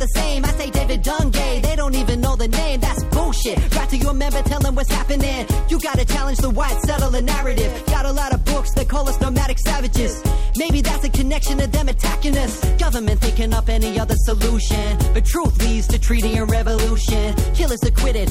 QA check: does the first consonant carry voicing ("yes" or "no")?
yes